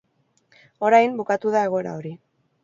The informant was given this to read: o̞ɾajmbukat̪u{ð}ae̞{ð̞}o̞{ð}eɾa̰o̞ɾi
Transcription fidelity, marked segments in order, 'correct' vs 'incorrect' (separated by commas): correct, incorrect, incorrect